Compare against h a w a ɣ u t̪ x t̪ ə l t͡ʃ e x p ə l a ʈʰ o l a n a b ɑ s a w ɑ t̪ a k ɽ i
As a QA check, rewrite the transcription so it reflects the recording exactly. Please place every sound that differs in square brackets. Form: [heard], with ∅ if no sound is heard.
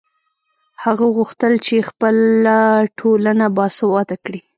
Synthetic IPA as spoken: h a [ɣ] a ɣ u [∅] x t̪ ə l t͡ʃ e x p ə l a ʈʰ o l a n a b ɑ s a w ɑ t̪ a k ɽ i